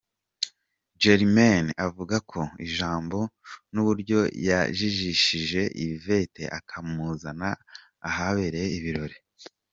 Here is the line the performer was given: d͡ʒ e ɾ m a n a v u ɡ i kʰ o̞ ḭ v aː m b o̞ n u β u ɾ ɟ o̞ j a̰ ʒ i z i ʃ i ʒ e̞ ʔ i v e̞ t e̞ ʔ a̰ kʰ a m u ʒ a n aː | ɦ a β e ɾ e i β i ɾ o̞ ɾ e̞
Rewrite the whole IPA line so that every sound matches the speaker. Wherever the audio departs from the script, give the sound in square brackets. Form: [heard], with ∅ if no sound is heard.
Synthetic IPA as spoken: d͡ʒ e ɾ m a n a v u ɡ [a] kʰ o̞ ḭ [ʒ] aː m b o̞ n u β u ɾ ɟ o̞ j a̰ ʒ i [ʒ] i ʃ i ʒ e̞ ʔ i v e̞ t e̞ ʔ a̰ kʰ a m u [z] a n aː | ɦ a β e ɾ e i β i ɾ o̞ ɾ e̞